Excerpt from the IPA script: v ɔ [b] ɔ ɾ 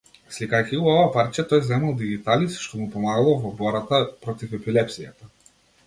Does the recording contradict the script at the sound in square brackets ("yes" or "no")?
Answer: no